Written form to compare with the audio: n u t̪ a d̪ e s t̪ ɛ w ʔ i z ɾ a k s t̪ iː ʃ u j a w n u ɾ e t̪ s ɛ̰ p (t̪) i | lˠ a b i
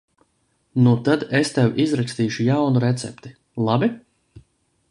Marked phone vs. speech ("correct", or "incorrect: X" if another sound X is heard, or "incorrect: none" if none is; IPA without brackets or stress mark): correct